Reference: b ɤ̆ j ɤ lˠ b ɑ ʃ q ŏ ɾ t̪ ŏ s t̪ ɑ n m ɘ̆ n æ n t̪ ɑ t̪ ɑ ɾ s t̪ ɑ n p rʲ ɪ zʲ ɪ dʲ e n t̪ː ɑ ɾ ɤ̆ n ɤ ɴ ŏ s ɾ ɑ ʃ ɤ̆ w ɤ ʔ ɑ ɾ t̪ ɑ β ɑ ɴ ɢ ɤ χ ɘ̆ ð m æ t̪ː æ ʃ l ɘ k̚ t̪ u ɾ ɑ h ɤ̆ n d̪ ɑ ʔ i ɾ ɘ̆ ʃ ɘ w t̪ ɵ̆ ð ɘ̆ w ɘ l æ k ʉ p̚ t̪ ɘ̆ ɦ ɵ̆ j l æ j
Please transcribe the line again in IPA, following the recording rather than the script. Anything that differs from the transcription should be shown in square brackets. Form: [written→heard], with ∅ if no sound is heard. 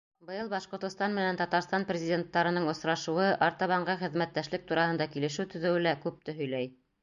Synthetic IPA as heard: b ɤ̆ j ɤ lˠ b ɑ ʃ q ŏ ɾ t̪ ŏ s t̪ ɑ n m ɘ̆ n æ n t̪ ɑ t̪ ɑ ɾ s t̪ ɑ n p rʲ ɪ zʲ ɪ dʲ e n t̪ː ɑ ɾ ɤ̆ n ɤ ɴ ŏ s ɾ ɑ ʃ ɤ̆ w ɤ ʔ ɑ ɾ t̪ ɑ β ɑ ɴ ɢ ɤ χ ɘ̆ ð m æ t̪ː æ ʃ l ɘ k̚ t̪ u ɾ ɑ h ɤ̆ n d̪ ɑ [ʔ→k] i [ɾ→l] ɘ̆ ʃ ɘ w t̪ ɵ̆ ð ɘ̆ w ɘ l æ k ʉ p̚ t̪ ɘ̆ ɦ ɵ̆ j l æ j